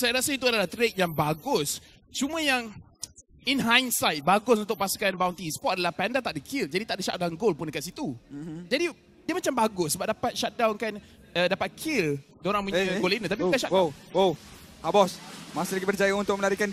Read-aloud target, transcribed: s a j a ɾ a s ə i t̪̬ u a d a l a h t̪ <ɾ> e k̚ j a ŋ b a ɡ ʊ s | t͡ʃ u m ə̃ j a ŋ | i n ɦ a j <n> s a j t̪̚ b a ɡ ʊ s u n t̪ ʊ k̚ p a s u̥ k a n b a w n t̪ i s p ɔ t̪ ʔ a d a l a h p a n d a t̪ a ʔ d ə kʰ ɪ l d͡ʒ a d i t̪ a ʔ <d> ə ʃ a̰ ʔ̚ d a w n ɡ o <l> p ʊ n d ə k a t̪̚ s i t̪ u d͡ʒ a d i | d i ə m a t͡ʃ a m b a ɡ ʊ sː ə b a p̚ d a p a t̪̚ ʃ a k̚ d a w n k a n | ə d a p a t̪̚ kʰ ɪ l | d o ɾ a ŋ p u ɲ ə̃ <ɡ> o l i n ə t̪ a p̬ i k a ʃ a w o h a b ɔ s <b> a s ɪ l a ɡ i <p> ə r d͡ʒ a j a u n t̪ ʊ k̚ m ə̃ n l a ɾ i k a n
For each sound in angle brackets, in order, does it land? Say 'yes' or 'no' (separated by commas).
yes, yes, yes, yes, yes, no, no